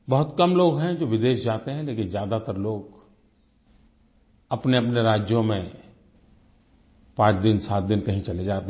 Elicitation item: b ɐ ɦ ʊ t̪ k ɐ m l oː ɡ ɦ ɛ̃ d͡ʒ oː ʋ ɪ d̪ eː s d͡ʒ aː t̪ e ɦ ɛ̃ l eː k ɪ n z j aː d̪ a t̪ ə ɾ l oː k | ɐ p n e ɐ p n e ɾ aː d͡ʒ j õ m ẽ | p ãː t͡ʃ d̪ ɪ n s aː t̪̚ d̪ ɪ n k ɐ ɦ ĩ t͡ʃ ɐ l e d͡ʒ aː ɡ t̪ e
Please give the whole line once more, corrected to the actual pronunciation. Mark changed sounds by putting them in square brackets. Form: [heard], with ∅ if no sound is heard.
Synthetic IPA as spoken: b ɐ ɦ ʊ t̪ k ɐ m l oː ɡ ɦ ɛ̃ d͡ʒ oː ʋ ɪ d̪ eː [ʃ] d͡ʒ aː t̪ e ɦ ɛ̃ l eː k ɪ n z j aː d̪ a t̪ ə ɾ l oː [ɡ] | ɐ p n e ɐ p n e ɾ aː d͡ʒ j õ m ẽ | p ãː t͡ʃ d̪ ɪ n s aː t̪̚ d̪ ɪ n k ɐ ɦ ĩ t͡ʃ ɐ l e d͡ʒ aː [∅] t̪ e